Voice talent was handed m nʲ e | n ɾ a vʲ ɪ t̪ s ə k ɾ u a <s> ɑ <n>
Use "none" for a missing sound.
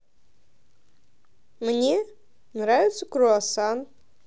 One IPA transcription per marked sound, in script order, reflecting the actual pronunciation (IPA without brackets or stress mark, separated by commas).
s, n